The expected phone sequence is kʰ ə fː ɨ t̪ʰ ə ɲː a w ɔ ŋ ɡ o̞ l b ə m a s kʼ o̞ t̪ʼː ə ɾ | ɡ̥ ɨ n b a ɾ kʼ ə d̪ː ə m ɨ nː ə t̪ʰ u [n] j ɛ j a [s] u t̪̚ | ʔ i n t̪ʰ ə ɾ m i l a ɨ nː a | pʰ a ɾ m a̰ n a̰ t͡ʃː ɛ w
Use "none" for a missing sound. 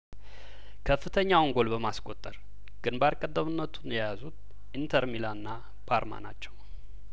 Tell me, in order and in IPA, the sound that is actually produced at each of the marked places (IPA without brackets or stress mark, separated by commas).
n, z